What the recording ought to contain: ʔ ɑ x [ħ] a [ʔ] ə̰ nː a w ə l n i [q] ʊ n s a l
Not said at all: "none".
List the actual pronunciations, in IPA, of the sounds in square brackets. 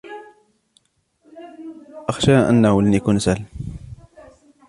ʃ, ʔ, k

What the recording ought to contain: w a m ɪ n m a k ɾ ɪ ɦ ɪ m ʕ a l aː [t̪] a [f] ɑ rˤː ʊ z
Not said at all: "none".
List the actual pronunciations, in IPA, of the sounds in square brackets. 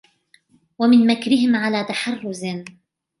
t̪, ħ

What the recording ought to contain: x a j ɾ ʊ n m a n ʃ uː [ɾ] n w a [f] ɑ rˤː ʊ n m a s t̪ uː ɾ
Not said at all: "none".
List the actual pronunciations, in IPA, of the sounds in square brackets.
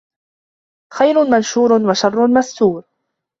ɾ, ʃ

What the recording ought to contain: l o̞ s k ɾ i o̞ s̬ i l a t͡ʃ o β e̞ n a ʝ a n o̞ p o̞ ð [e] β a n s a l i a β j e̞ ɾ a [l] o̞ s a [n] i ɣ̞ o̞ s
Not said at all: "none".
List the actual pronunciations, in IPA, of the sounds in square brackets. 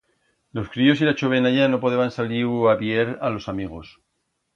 e, l, m

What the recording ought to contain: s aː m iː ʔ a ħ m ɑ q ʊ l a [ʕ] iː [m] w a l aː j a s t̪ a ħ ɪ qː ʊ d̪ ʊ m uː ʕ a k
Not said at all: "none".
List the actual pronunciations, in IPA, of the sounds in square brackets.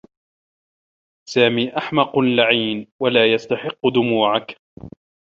ʕ, n

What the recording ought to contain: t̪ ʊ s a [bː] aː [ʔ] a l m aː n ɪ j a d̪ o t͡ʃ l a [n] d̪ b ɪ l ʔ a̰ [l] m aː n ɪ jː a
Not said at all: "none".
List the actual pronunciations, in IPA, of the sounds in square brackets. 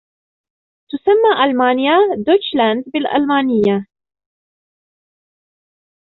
mː, ʔ, n, l

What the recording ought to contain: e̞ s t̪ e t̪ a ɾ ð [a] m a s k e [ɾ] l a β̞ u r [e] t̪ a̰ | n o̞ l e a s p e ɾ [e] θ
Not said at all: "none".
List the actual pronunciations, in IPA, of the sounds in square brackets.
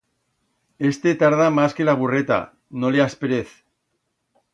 a, none, e, e

